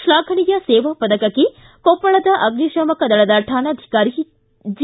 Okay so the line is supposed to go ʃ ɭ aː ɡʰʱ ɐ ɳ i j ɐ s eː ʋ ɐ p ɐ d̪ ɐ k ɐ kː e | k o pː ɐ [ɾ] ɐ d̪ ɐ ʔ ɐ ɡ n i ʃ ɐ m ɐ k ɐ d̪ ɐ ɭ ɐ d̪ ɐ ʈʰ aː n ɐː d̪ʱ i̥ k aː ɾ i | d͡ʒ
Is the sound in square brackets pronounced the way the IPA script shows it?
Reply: no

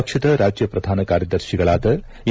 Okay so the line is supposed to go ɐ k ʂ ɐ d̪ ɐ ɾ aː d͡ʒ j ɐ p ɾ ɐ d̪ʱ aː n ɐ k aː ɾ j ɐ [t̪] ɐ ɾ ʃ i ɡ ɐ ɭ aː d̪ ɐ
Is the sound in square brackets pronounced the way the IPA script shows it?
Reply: no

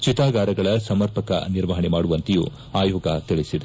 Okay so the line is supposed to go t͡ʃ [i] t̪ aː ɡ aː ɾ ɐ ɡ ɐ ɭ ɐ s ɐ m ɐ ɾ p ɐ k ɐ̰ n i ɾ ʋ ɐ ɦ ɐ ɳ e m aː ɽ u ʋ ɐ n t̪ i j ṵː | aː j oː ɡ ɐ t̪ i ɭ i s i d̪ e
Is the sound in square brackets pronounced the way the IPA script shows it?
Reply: yes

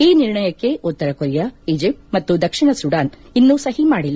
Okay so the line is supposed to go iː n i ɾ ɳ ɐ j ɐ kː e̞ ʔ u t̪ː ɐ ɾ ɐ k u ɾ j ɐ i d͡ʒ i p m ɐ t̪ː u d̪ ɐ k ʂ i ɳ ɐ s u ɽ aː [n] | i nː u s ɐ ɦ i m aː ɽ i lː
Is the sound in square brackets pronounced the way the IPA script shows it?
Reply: yes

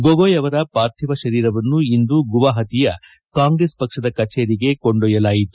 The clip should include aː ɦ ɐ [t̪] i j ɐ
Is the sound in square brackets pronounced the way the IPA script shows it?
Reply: yes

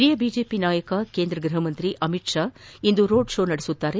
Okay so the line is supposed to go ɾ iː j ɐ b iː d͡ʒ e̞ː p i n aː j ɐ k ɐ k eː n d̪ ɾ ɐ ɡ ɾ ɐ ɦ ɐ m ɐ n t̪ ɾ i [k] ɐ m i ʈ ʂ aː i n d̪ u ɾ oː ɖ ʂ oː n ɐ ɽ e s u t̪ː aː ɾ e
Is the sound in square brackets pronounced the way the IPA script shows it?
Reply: no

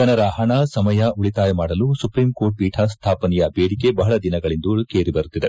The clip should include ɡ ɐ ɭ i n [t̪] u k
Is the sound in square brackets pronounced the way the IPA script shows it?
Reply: no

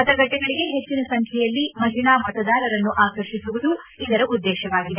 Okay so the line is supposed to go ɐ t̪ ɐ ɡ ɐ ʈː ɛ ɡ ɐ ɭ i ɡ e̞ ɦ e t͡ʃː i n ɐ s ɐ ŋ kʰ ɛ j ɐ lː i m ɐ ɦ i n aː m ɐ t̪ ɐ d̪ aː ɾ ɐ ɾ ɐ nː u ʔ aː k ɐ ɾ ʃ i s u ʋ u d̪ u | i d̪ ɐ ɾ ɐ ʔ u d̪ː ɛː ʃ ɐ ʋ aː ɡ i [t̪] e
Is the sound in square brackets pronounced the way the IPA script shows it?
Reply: no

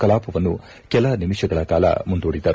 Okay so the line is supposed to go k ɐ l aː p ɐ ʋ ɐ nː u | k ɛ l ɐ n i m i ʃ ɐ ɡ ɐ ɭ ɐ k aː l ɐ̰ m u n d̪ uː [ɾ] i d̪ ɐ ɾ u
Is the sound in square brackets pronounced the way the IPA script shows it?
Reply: no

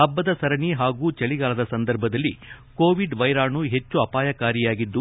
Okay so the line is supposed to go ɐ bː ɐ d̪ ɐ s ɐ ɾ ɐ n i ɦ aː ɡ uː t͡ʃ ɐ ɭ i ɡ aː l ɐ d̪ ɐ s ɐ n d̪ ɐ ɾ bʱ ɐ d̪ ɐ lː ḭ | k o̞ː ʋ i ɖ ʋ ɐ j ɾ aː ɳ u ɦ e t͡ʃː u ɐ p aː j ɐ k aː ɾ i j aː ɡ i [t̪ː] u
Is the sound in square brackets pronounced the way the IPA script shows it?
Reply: no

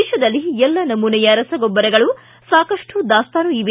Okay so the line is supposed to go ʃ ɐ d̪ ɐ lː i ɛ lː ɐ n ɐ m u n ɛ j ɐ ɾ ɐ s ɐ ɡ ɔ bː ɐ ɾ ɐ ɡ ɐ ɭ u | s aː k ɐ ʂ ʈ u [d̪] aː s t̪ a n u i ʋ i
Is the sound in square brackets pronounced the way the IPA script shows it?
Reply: yes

